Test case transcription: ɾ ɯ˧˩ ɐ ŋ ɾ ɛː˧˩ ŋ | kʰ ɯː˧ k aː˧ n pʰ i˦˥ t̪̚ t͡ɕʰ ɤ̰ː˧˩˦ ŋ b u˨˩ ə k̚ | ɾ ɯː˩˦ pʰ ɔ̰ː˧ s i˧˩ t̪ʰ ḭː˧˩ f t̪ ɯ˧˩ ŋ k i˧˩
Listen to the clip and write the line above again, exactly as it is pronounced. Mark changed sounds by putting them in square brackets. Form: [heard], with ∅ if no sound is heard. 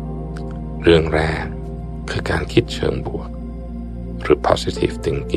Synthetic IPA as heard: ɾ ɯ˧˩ [ə] ŋ ɾ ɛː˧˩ ŋ | kʰ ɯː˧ k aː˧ n [kʰ] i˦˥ t̪̚ t͡ɕʰ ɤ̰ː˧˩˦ ŋ b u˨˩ ə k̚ | ɾ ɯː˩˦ pʰ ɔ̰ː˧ s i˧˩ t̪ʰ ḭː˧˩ f t̪ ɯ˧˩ ŋ k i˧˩